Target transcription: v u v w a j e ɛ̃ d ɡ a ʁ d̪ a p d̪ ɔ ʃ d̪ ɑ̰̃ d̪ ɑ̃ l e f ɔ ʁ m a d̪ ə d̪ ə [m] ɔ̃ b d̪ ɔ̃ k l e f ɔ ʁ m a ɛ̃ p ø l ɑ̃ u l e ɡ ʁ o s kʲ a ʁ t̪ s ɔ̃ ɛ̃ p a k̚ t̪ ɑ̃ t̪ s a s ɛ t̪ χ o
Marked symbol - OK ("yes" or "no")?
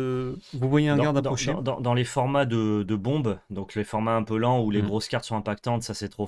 no